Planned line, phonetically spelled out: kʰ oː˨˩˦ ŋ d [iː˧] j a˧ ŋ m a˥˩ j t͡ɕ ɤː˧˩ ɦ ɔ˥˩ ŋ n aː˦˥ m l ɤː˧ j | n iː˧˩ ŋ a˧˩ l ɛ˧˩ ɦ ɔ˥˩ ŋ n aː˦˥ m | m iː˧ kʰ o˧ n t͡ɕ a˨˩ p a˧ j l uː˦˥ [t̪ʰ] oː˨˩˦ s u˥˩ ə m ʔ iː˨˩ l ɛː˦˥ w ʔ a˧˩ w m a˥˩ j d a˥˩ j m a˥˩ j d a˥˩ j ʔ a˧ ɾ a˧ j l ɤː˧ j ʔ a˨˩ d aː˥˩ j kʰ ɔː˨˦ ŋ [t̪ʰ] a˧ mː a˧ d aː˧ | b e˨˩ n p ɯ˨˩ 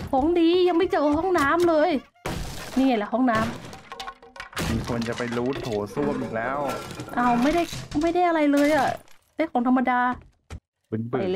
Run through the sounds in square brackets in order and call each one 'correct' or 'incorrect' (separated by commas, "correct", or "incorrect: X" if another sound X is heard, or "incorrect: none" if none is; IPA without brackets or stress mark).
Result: correct, correct, correct